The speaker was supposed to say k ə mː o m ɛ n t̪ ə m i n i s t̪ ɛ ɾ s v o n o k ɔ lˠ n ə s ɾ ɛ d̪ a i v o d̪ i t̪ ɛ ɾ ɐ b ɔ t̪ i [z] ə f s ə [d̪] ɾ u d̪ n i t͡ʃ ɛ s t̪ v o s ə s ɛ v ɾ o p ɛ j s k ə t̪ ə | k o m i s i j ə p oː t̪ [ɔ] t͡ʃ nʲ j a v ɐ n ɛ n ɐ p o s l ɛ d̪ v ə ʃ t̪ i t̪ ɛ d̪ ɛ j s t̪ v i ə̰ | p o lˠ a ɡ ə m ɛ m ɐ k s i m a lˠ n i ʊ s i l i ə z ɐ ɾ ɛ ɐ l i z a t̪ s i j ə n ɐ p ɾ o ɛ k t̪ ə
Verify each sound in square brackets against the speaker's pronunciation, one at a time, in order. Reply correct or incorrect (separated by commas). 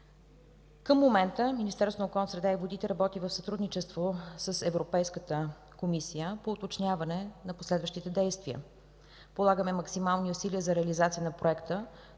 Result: incorrect, incorrect, incorrect